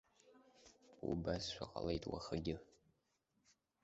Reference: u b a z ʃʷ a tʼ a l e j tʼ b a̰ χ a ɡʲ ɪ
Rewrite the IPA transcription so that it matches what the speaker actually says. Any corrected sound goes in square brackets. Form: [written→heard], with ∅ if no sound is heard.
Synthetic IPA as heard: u b a [z→s] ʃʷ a [tʼ→qʼ] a l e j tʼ [b→w] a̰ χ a ɡʲ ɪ